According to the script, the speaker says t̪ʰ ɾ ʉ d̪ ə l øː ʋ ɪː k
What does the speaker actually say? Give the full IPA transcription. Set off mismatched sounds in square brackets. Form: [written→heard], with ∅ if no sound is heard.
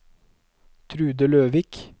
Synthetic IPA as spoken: t̪ʰ ɾ [ʉ→ʉː] d̪ ə l øː ʋ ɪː k